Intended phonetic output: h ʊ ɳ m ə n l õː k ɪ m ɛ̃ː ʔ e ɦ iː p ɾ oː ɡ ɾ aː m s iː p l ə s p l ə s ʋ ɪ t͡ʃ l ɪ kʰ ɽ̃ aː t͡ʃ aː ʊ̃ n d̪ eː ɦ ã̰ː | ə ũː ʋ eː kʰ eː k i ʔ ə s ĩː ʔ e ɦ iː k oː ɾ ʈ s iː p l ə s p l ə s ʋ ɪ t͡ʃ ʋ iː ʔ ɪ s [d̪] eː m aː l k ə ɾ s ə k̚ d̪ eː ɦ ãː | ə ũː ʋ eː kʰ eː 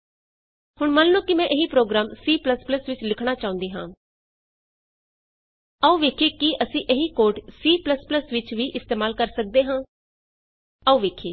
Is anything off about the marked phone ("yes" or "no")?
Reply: yes